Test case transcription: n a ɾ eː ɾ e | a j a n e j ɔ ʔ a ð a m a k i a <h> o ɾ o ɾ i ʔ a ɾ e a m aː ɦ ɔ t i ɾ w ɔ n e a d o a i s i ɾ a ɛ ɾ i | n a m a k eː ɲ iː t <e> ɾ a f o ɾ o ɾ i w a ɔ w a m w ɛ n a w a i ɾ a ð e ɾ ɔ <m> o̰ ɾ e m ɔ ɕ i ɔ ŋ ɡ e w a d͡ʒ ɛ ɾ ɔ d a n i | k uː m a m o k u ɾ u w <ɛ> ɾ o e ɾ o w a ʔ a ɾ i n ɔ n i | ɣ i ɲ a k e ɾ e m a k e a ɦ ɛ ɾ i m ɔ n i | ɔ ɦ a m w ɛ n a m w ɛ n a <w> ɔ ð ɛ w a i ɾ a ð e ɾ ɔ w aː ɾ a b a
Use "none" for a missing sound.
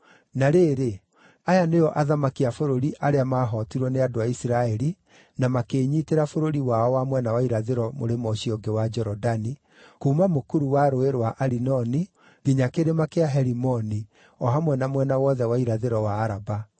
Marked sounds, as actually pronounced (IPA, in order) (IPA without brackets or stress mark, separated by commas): f, e, m, a, w